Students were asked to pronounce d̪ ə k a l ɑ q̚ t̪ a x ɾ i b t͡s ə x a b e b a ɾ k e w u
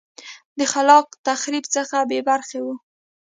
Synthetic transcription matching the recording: d̪ ə x a l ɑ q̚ t̪ a x ɾ i b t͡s ə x a b e b a ɾ x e w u